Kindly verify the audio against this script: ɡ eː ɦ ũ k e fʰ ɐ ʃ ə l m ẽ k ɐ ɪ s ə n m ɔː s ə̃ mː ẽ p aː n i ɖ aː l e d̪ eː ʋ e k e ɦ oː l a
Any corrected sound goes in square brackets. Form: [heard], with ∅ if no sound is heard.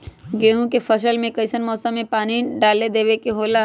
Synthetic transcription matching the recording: ɡ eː ɦ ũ k e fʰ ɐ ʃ ə l m ẽ k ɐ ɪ s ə n m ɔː s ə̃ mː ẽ p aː n i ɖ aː l e d̪ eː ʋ e k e ɦ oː l a

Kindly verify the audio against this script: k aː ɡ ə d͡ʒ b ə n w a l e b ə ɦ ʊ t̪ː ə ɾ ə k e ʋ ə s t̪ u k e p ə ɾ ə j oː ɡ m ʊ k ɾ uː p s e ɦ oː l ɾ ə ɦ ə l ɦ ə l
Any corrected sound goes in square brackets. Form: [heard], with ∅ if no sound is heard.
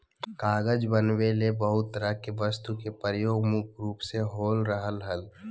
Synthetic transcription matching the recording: k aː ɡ ə d͡ʒ b ə n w [e] l e b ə ɦ ʊ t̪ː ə ɾ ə k e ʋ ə s t̪ u k e p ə ɾ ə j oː ɡ m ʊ k ɾ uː p s e ɦ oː l ɾ ə ɦ ə l ɦ ə l

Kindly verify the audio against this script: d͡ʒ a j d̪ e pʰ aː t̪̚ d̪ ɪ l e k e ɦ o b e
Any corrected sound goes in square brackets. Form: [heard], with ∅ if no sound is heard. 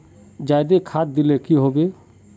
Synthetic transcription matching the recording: d͡ʒ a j d̪ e [kʰ] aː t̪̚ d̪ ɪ l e k [i] ɦ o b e

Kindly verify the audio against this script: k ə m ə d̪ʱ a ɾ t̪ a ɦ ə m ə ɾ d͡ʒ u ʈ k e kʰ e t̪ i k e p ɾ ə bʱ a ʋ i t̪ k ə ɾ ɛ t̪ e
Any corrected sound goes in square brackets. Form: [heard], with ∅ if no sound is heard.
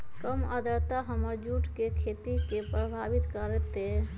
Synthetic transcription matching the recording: k ə m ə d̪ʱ [ə] ɾ t̪ a ɦ ə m ə ɾ d͡ʒ u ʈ k e kʰ e t̪ i k e p ɾ ə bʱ a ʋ i t̪ k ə ɾ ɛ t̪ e

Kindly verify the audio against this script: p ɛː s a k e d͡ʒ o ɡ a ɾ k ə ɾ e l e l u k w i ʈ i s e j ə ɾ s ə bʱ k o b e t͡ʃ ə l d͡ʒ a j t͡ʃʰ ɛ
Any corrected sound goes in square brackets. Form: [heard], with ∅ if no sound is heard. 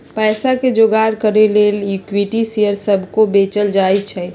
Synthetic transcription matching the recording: p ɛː s a k e d͡ʒ o ɡ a ɾ k ə ɾ e l e l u k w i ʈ i s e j ə ɾ s ə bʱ k o b e t͡ʃ ə l d͡ʒ a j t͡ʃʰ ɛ

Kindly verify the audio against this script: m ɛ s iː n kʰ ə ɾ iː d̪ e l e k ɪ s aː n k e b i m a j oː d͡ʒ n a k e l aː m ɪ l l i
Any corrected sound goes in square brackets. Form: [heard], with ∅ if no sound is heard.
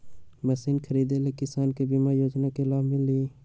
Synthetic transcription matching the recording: m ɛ s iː n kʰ ə ɾ iː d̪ e l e k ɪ s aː n k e b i m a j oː d͡ʒ n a k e l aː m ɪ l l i

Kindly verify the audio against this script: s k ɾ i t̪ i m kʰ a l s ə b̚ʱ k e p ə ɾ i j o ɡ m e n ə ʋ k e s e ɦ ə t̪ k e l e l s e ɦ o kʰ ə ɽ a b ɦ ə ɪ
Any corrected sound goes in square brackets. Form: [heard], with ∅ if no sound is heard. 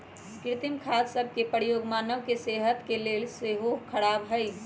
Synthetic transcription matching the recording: s k ɾ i t̪ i m kʰ a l s ə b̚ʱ k e p ə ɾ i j o ɡ m [a] n ə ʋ k e s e ɦ ə t̪ k e l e l s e ɦ o kʰ ə ɽ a b ɦ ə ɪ

